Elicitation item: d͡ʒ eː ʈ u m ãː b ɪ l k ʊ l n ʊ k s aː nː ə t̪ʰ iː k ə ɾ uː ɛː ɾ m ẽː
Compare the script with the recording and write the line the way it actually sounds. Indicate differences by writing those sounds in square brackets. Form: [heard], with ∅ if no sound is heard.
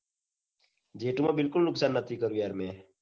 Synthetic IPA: d͡ʒ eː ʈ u m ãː b ɪ l k ʊ l n ʊ k s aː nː ə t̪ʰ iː k ə ɾ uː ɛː ɾ m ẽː